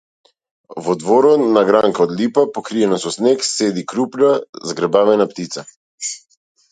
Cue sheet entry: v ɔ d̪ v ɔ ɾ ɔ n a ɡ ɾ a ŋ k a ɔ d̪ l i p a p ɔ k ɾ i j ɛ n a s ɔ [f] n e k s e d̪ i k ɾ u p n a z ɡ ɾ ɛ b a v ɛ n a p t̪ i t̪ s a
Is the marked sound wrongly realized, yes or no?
yes